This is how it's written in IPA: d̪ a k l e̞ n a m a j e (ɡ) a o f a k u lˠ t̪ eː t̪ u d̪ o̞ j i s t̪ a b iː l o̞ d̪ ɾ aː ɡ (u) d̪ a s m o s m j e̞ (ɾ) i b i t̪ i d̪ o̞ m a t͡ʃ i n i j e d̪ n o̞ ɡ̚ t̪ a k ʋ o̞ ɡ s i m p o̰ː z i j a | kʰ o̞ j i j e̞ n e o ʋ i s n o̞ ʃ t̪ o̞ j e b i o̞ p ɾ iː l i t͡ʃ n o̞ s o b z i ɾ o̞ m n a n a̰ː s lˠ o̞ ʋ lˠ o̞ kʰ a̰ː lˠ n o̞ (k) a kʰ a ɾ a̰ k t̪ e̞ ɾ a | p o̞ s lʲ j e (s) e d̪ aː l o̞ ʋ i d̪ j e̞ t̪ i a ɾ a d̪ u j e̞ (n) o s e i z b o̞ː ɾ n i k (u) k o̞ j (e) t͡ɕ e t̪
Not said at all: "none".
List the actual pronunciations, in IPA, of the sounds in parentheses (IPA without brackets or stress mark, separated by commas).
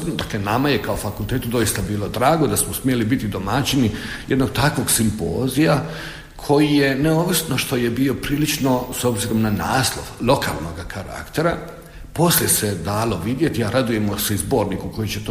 k, o, l, ɡ, s, m, u, i